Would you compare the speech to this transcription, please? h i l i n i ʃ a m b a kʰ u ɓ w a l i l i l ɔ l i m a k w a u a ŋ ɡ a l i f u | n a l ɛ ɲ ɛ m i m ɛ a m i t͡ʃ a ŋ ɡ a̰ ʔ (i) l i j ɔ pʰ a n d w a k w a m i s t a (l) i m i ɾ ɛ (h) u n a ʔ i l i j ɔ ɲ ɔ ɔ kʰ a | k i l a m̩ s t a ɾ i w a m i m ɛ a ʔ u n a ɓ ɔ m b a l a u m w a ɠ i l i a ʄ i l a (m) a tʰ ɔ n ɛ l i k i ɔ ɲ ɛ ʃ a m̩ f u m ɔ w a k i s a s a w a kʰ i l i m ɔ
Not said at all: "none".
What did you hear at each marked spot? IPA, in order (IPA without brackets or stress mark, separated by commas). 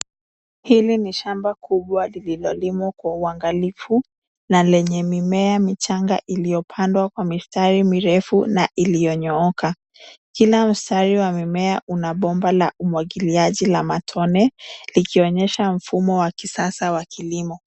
i, ɾ, f, m